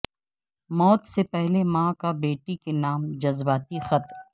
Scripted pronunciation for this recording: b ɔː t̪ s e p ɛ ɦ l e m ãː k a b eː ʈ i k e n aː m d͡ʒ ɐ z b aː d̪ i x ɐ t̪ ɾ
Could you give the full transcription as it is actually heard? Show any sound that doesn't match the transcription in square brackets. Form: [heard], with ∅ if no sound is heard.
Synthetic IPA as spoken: [m] ɔː t̪ s e p ɛ ɦ l e m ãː k a b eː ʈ i k e n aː m d͡ʒ ɐ z b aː [t̪] i x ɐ t̪ ɾ